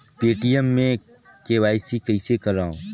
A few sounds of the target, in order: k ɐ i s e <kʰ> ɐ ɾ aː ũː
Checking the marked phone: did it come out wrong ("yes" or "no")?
yes